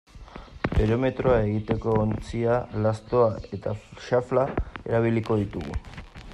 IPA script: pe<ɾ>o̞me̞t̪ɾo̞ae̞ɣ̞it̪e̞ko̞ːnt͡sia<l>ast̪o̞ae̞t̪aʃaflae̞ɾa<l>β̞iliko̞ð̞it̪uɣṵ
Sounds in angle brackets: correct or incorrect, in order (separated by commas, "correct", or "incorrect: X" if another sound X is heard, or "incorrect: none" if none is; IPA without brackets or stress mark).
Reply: correct, correct, incorrect: none